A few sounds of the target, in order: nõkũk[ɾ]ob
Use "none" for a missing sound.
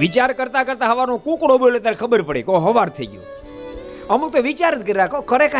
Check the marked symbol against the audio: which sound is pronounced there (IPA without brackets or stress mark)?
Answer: ɽ